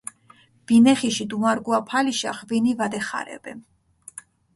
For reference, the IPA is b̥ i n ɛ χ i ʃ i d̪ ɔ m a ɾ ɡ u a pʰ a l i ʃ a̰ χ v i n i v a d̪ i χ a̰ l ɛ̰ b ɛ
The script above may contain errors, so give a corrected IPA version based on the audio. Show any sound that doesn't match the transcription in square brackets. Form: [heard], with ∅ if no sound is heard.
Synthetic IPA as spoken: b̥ i n ɛ χ i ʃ i d̪ [u] m a ɾ ɡ u a pʰ a l i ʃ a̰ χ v i n i v a d̪ [ɛ] χ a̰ [ɾ] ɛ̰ b ɛ